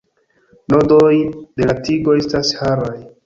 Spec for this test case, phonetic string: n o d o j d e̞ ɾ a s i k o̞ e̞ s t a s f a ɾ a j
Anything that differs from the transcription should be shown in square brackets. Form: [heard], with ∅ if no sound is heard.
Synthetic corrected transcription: n o d o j d e̞ [l] a [t] i [ɡ] o̞ e̞ s t a s [h] a ɾ a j